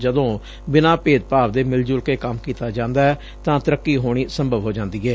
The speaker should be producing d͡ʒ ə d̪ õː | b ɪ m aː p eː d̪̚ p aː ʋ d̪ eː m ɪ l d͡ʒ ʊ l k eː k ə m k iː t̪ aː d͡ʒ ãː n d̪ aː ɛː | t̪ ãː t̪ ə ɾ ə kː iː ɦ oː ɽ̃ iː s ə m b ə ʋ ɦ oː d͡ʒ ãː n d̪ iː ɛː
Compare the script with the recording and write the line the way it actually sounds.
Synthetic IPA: d͡ʒ ə d̪ õː | b ɪ n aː p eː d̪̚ p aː ʋ d̪ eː m ɪ l d͡ʒ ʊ l k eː k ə m k iː t̪ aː d͡ʒ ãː n d̪ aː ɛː | t̪ ãː t̪ ə ɾ ə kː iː ɦ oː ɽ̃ iː s ə m b ə ʋ ɦ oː d͡ʒ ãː n d̪ iː ɛː